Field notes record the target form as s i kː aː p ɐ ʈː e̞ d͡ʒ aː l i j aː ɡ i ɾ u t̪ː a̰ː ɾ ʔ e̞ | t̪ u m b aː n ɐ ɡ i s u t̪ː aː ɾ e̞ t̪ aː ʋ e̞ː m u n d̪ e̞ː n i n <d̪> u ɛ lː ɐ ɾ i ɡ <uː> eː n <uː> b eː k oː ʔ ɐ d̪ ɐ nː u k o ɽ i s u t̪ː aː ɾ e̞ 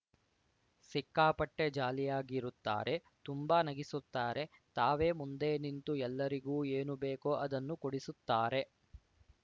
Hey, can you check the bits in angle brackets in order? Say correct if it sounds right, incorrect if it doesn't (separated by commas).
incorrect, correct, incorrect